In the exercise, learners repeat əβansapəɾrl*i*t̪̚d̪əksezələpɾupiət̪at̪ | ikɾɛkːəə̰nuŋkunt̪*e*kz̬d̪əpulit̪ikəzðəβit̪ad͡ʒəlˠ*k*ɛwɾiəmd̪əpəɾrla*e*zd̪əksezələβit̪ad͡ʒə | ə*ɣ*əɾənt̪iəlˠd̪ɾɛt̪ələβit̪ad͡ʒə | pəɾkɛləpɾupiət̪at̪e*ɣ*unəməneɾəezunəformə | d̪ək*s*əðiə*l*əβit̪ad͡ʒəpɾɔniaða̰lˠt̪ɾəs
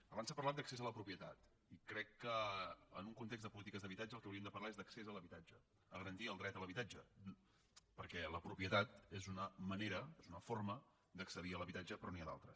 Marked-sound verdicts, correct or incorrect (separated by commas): incorrect, correct, correct, correct, correct, incorrect, correct, correct